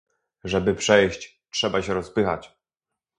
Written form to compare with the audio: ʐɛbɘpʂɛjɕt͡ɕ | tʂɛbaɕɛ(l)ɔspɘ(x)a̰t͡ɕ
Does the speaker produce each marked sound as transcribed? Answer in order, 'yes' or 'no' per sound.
no, yes

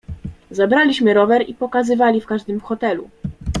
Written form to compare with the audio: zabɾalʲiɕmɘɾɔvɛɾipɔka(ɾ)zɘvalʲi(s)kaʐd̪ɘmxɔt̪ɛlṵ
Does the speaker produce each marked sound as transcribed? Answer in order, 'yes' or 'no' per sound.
no, no

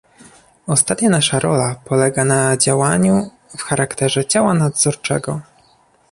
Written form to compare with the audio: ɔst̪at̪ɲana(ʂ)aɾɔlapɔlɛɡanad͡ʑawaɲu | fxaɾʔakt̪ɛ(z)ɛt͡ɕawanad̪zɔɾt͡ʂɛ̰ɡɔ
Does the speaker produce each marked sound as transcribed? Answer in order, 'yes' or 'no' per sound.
yes, no

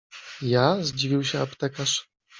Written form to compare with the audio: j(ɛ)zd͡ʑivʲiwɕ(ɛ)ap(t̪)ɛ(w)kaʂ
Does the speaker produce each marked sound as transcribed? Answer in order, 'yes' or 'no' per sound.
no, yes, yes, no

